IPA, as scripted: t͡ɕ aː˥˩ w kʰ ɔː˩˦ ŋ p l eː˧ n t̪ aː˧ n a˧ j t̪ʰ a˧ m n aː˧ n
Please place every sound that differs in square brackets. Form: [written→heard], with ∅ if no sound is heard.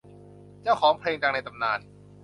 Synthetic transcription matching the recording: t͡ɕ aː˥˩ w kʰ ɔː˩˦ ŋ [p→pʰ] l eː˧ [n→ŋ] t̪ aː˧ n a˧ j [t̪ʰ→t̪] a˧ m n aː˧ n